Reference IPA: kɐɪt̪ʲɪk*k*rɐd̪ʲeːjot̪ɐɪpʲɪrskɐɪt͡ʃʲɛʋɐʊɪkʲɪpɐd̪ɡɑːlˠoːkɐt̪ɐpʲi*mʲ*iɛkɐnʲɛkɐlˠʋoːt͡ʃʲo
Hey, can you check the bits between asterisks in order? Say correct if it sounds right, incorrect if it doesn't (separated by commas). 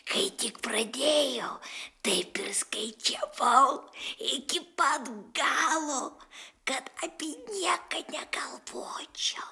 incorrect, incorrect